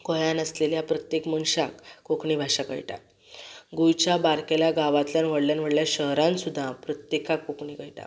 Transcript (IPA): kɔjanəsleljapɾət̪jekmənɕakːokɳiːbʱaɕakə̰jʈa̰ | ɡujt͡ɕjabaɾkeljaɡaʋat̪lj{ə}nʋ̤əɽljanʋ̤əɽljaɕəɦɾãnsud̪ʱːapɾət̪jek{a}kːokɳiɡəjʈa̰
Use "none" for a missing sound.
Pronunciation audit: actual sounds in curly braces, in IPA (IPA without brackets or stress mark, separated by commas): a, a